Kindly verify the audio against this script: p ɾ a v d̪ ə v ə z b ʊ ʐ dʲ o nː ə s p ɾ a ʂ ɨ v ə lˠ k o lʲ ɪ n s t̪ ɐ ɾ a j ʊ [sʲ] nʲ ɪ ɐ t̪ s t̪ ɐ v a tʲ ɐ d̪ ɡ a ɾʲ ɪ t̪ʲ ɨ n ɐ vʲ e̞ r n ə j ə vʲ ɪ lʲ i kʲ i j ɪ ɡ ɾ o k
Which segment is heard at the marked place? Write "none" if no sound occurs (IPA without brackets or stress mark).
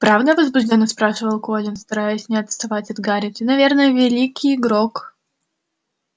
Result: sʲ